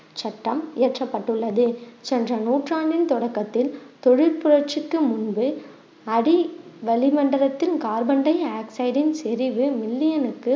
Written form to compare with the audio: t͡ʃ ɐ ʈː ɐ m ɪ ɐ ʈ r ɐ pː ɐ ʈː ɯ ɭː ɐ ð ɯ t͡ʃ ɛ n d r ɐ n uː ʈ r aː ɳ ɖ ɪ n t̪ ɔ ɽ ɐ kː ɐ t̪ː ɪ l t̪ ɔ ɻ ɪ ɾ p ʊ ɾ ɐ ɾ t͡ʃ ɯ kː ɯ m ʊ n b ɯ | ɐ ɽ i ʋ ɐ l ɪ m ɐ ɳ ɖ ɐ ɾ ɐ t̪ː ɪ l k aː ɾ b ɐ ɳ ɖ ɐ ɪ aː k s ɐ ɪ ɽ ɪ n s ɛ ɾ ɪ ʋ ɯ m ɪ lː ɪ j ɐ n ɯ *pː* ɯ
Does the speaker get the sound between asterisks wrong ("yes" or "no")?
yes